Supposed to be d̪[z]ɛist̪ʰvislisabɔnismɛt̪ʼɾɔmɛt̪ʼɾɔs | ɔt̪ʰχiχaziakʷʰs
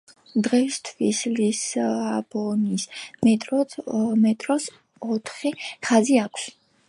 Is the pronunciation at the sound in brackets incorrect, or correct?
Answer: incorrect: ʁ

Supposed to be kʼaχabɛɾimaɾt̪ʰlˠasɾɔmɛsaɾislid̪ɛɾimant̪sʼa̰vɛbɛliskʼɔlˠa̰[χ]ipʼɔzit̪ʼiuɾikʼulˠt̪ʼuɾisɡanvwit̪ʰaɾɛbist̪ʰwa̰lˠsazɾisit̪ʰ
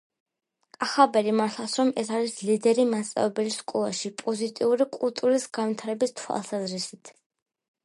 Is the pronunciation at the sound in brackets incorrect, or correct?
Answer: incorrect: ʃ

